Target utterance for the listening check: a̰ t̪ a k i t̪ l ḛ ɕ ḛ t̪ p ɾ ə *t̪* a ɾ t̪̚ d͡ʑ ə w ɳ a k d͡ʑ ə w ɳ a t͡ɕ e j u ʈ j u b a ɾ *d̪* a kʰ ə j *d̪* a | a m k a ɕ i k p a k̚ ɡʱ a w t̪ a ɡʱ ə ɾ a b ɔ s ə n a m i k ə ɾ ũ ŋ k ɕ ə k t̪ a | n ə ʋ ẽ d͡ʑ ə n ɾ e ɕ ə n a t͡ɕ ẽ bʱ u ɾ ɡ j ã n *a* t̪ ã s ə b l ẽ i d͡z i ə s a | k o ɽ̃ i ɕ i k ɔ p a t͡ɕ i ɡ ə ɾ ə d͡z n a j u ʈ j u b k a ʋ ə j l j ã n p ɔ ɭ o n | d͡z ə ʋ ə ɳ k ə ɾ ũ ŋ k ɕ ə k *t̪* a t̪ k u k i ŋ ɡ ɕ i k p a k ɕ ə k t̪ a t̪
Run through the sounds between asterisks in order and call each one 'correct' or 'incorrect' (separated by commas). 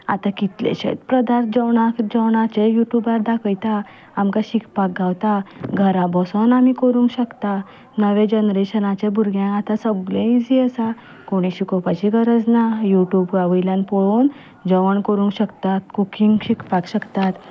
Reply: incorrect, correct, incorrect, correct, correct